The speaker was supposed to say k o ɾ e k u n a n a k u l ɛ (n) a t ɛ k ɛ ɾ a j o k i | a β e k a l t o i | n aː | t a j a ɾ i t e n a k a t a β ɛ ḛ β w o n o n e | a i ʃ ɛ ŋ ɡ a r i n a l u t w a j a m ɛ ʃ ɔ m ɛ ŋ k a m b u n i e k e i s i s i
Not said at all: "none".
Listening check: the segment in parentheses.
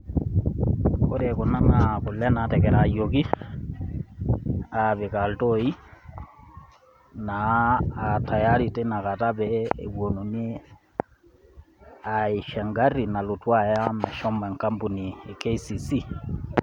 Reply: n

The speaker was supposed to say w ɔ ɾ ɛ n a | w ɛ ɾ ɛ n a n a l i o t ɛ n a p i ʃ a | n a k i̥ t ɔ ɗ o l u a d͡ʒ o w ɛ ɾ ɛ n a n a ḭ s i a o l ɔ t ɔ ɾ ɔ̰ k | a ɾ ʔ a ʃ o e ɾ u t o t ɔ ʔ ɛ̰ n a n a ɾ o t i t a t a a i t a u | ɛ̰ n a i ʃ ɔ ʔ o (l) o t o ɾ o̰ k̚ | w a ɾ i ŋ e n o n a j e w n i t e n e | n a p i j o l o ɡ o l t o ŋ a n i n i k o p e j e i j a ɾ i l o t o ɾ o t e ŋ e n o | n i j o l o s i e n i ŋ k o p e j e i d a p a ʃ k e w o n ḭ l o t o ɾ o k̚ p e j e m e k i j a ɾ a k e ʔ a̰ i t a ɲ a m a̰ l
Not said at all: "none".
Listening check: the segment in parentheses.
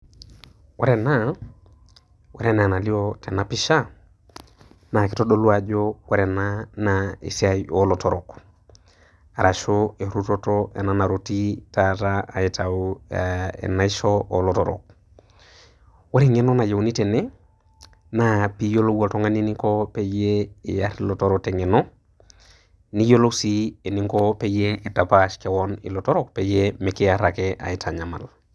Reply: l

